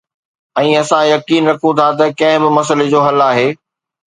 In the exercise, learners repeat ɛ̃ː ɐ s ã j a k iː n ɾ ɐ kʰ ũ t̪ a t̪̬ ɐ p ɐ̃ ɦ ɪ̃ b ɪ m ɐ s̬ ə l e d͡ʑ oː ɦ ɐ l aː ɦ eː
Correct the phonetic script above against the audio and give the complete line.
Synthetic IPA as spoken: ɛ̃ː ɐ s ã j ɐ k iː n ɾ ɐ kʰ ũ t̪ʰ a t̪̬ ɐ k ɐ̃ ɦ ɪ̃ b ɪ m ɐ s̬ ə l e d͡ʑ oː ɦ ɐ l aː ɦ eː